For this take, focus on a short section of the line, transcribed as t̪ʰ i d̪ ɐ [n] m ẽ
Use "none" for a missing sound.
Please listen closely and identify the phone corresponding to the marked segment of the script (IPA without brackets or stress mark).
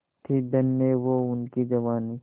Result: n